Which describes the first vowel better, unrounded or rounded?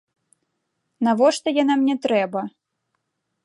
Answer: unrounded